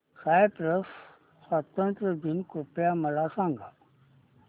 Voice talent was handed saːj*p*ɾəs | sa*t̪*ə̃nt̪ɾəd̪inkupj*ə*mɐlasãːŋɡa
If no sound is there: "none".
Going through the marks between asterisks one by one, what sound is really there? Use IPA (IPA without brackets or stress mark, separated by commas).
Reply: p, t̪, a